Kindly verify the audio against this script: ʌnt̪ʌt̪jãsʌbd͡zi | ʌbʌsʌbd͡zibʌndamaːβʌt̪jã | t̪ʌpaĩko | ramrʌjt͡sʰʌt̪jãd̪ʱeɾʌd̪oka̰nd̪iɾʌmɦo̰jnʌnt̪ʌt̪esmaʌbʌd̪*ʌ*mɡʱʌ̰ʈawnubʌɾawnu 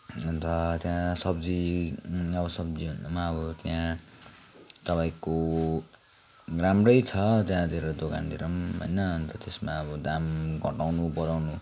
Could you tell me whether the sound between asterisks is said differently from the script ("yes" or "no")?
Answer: yes